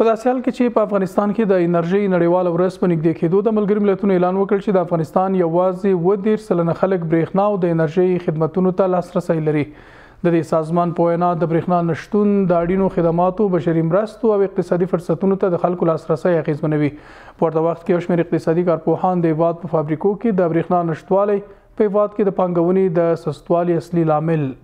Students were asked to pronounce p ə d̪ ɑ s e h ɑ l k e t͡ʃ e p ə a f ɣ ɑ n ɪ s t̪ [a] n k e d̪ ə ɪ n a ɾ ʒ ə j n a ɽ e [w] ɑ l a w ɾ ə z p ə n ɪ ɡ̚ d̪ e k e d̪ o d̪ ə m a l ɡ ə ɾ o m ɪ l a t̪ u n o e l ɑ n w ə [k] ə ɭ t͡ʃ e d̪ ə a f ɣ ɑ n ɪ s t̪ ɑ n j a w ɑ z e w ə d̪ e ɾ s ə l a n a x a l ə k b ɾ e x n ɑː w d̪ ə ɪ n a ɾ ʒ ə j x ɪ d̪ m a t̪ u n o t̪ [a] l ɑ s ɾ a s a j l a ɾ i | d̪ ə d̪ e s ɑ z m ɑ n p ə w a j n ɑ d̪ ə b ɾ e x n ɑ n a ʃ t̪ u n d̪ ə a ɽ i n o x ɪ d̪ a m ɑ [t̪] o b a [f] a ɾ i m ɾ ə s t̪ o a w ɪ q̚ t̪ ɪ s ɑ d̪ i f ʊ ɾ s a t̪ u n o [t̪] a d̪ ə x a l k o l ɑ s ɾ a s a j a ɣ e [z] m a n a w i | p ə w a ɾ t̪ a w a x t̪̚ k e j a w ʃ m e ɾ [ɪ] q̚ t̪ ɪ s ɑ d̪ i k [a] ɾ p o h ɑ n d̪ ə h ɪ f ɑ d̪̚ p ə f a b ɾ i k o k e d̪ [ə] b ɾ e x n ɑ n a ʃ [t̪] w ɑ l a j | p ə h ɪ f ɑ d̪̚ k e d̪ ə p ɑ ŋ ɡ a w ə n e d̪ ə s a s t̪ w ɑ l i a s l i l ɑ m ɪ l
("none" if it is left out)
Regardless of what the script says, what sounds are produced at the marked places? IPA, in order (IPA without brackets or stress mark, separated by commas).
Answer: ɑ, w, k, a, t̪, ʃ, t̪, z, ɪ, ɑ, ə, t̪